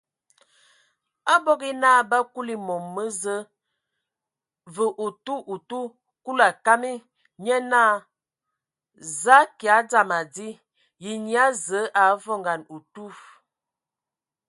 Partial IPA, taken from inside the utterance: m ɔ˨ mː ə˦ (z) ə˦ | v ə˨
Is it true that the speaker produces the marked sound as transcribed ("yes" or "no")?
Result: yes